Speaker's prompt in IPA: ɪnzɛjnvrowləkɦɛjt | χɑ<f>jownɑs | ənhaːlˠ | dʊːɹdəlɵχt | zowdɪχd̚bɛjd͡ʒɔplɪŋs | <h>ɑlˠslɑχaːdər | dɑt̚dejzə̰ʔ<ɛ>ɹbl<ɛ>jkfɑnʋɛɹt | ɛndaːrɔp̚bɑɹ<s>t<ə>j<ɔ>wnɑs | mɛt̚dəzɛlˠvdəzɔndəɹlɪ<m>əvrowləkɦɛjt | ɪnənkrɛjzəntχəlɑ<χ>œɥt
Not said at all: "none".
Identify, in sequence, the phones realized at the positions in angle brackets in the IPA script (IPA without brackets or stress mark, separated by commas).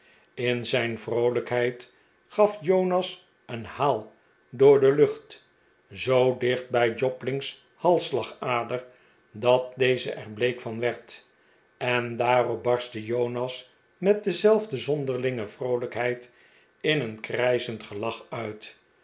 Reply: f, h, ɛ, e, s, ə, o, ŋ, χ